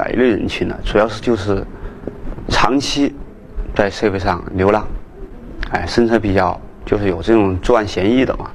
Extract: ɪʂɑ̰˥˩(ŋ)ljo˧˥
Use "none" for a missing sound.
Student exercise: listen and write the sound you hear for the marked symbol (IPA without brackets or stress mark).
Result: ŋ